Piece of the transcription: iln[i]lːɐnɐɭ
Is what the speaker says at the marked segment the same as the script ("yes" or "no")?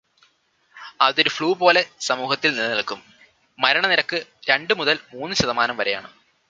yes